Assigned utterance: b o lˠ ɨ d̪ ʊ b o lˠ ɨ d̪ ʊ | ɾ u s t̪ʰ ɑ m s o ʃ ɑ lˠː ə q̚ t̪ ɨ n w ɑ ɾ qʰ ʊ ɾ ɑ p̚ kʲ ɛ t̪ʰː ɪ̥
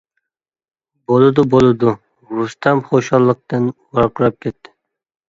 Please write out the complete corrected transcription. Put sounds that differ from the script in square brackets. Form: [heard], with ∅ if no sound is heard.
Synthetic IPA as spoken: b o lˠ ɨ d̪ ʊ b o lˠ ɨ d̪ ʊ | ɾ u s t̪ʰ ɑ m [χ] o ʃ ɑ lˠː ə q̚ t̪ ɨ n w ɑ ɾ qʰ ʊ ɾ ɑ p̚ kʲ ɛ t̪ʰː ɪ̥